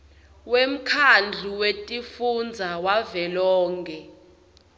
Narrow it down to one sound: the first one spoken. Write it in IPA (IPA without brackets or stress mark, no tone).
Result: w